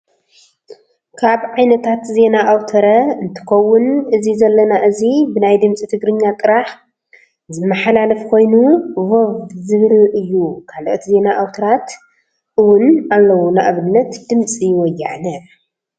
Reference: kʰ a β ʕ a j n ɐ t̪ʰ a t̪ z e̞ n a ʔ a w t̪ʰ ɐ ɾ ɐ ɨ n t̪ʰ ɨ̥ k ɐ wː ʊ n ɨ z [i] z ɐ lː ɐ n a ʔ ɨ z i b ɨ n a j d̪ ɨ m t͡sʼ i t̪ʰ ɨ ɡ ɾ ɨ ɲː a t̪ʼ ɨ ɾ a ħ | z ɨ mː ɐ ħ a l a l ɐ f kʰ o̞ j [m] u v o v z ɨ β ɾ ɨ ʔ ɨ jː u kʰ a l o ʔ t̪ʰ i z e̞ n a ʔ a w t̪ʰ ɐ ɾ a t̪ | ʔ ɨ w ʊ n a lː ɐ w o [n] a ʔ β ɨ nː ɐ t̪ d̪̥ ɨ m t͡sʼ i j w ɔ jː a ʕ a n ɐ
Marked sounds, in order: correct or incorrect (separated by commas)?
correct, incorrect, correct